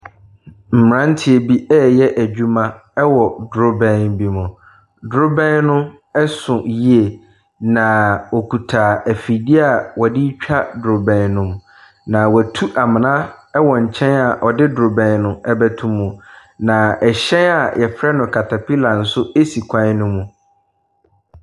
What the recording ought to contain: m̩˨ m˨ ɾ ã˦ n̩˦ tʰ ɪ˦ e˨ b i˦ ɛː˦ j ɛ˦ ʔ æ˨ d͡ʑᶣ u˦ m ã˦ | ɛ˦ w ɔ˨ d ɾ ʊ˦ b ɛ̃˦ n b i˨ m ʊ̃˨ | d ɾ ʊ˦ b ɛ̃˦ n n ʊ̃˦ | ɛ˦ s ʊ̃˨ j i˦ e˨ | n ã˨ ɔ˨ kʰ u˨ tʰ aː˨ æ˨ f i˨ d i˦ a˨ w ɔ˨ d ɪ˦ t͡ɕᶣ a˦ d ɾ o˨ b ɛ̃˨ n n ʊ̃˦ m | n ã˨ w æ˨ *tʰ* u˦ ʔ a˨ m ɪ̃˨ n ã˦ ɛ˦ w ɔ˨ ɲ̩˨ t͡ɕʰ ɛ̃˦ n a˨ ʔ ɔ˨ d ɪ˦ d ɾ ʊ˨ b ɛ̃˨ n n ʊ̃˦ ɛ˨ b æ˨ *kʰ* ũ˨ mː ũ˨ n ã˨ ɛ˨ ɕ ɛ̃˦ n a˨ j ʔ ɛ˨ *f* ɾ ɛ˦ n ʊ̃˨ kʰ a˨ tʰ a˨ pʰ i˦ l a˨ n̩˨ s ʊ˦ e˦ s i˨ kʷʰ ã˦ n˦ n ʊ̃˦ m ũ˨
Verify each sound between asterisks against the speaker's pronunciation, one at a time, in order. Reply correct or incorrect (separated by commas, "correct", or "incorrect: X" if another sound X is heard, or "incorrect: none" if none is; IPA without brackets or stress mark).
correct, incorrect: tʰ, correct